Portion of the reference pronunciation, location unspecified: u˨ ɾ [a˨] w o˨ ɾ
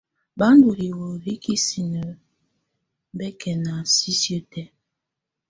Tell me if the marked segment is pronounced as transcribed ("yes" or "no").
no